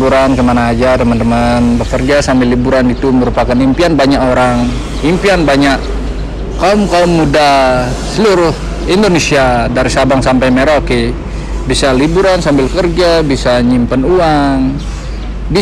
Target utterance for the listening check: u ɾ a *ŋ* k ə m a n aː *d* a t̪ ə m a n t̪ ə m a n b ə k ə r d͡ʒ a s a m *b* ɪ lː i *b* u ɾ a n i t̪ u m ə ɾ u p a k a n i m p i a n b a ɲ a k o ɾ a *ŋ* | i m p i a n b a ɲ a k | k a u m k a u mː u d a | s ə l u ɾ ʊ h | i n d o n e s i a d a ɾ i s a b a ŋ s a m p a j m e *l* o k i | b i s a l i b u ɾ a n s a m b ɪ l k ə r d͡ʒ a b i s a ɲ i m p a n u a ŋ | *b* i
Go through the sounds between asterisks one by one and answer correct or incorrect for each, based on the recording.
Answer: incorrect: n, incorrect: d͡ʒ, correct, correct, correct, incorrect: ɾ, correct

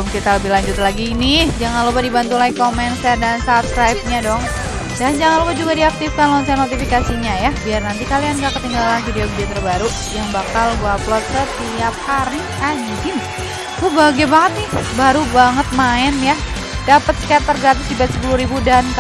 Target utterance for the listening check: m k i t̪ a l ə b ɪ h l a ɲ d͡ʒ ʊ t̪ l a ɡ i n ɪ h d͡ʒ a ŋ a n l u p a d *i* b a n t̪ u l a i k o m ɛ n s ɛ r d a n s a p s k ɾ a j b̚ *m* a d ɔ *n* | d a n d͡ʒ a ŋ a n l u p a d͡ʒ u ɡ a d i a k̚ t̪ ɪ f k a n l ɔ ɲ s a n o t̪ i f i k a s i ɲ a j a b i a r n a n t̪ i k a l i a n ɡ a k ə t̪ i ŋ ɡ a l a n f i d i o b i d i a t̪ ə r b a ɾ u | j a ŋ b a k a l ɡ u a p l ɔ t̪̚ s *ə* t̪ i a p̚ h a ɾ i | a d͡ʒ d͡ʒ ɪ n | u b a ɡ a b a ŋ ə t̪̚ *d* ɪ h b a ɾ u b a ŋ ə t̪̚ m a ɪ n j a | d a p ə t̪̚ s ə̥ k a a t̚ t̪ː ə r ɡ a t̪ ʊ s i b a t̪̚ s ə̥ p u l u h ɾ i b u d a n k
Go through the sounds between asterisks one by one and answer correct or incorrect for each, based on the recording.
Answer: correct, incorrect: ɲ, incorrect: ŋ, correct, incorrect: n

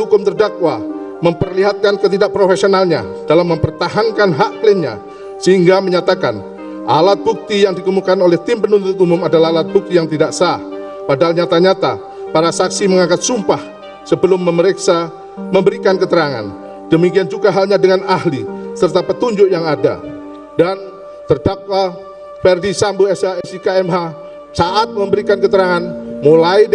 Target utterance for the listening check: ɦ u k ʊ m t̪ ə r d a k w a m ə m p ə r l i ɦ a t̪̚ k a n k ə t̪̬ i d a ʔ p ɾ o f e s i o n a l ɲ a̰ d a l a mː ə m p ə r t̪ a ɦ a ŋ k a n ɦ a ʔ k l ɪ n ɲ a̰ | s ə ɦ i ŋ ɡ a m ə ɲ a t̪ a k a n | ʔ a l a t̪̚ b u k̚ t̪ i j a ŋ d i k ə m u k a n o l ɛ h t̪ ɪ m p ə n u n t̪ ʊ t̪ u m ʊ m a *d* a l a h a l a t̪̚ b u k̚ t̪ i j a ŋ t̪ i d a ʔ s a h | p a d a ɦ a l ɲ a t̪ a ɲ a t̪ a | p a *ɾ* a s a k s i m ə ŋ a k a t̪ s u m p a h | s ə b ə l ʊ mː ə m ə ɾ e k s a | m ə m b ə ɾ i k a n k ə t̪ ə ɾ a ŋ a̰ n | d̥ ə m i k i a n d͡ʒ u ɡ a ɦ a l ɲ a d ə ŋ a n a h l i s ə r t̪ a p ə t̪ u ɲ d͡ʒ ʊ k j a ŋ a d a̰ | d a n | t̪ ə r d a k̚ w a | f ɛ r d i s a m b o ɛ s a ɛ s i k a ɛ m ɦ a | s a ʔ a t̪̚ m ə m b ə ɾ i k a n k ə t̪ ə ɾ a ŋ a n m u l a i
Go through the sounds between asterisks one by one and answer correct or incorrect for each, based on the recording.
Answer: correct, correct

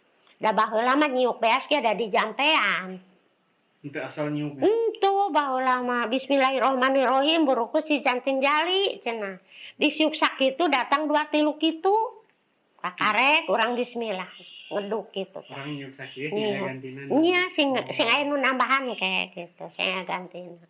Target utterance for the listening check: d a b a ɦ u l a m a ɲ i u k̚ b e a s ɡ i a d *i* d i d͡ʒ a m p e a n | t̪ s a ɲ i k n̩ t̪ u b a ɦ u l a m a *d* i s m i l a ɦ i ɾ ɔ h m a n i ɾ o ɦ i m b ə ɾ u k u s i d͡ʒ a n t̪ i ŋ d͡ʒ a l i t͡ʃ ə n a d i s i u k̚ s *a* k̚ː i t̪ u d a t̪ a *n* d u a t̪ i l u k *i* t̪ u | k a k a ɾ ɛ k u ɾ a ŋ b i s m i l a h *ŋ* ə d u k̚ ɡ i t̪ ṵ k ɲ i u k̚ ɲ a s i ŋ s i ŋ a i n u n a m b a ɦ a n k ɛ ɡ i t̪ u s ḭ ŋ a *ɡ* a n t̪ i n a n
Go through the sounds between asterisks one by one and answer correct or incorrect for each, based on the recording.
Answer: incorrect: a, incorrect: b, correct, incorrect: ŋ, correct, correct, correct

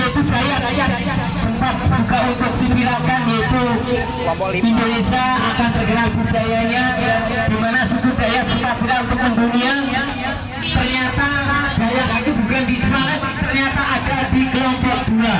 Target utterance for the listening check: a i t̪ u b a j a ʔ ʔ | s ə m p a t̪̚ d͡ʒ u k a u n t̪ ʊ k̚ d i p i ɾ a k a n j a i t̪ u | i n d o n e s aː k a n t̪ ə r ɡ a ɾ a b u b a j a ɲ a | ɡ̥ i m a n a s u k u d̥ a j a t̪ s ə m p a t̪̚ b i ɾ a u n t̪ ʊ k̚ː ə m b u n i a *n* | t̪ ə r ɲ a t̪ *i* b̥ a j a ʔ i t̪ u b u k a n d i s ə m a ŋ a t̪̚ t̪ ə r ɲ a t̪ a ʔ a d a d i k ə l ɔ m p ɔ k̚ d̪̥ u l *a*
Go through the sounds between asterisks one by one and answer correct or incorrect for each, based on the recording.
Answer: correct, incorrect: a, correct

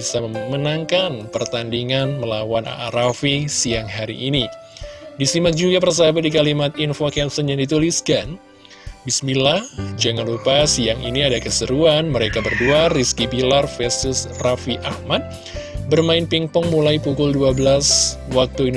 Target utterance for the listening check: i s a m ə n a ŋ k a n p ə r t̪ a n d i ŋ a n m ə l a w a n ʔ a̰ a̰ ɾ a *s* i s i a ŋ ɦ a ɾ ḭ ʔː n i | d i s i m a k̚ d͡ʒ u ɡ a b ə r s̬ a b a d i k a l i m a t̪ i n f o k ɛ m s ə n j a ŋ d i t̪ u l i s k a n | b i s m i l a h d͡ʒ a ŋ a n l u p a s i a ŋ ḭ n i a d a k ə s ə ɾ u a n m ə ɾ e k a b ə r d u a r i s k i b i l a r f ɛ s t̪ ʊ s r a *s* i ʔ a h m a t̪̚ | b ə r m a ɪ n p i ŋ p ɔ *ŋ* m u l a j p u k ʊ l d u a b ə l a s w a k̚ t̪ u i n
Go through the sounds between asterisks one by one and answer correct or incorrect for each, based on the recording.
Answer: incorrect: f, incorrect: f, correct

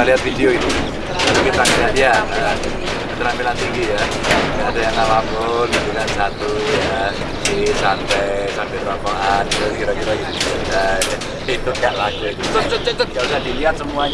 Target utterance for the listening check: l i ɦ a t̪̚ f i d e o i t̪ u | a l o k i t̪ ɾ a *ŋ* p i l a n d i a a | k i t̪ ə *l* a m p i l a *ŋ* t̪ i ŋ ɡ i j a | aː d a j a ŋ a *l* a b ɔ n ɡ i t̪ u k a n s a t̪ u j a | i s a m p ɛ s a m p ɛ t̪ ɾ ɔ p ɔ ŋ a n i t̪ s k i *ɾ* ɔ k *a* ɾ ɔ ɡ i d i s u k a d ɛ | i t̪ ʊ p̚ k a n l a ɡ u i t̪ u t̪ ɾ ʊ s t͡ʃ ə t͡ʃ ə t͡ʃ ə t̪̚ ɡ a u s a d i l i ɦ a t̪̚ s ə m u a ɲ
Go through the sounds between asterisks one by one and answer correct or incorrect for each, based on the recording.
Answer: incorrect: m, incorrect: ɾ, incorrect: n, correct, correct, incorrect: i

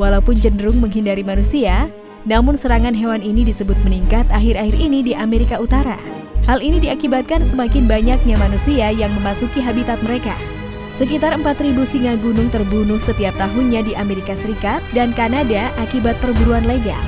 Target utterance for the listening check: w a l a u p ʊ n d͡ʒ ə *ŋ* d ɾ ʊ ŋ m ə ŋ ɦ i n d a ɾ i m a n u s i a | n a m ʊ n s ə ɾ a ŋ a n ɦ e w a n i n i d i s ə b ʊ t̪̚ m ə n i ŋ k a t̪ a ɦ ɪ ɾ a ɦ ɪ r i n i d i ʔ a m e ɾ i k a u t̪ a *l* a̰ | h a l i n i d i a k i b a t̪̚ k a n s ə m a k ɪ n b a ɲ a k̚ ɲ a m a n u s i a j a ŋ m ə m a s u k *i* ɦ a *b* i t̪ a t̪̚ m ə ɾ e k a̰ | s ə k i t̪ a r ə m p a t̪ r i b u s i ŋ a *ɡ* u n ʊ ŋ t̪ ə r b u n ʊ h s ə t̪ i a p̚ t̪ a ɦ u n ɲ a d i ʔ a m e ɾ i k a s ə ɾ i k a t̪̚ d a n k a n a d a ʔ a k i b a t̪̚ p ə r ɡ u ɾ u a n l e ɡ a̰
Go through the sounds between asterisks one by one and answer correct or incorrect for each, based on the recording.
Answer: incorrect: n, incorrect: ɾ, correct, correct, correct

